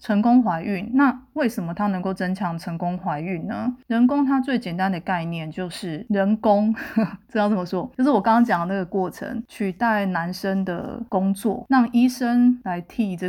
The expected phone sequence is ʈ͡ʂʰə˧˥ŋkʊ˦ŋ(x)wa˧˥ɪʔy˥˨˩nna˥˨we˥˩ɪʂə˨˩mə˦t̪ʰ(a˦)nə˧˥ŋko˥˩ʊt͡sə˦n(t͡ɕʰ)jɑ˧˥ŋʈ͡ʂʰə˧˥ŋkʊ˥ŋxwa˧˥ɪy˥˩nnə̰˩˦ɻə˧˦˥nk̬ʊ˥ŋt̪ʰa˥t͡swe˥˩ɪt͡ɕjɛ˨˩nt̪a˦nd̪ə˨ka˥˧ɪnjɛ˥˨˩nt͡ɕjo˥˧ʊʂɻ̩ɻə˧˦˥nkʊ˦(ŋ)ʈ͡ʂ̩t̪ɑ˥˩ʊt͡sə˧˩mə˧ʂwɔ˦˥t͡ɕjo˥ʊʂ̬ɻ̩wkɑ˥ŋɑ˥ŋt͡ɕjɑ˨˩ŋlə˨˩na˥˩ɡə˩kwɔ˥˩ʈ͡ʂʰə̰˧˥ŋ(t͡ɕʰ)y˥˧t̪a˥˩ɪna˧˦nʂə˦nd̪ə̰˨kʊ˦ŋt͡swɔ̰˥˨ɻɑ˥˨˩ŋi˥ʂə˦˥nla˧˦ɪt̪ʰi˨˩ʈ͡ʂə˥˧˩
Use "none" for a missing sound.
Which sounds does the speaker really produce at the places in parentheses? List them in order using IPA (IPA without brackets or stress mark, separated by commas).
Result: x, a˦, t͡ɕʰ, ŋ, t͡ɕʰ